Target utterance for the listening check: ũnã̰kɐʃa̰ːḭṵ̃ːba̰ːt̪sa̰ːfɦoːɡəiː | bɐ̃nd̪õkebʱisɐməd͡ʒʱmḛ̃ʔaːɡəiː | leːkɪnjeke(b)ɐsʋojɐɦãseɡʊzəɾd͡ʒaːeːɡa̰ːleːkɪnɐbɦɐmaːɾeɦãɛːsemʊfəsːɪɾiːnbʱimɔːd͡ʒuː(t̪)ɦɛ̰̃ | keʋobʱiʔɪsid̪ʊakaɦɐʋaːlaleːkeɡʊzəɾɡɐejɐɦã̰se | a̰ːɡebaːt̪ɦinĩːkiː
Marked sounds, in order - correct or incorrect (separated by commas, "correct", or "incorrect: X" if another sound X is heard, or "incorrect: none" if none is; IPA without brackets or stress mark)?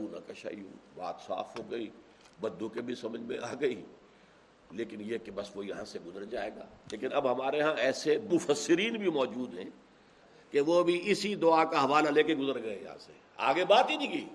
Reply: correct, incorrect: d̪